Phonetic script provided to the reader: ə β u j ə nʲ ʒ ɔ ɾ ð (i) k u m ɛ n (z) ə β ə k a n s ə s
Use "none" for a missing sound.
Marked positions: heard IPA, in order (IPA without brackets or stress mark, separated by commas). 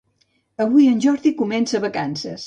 i, s